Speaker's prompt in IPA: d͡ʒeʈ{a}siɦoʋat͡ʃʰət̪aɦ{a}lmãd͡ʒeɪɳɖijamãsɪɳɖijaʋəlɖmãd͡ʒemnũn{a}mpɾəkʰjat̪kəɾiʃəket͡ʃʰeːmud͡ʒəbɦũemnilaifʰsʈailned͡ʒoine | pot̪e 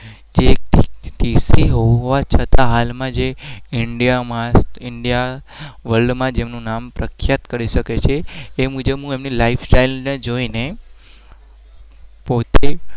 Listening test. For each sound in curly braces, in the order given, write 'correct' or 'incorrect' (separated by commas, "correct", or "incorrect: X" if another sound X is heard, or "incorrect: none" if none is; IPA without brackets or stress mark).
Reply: incorrect: i, correct, correct